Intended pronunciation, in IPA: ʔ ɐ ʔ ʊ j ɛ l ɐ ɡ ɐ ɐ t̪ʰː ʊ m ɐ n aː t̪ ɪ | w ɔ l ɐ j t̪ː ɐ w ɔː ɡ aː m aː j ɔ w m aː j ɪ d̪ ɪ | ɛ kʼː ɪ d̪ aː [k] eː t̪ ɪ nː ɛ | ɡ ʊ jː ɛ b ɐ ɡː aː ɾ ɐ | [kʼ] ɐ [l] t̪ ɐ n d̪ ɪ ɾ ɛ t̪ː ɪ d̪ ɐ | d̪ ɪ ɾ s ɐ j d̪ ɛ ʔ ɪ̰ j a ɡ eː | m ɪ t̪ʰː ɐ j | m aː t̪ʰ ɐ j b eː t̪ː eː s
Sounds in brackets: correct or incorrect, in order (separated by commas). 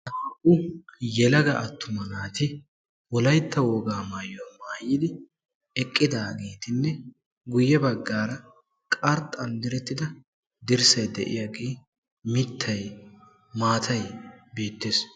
incorrect, correct, incorrect